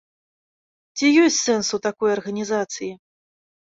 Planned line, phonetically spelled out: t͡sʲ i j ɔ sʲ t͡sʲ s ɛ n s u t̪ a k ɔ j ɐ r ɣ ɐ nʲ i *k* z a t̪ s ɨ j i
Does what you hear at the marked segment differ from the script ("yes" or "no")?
yes